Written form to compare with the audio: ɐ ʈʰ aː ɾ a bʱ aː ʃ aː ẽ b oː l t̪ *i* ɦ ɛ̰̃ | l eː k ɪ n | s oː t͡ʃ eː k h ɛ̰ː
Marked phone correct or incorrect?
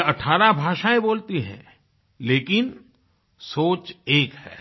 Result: correct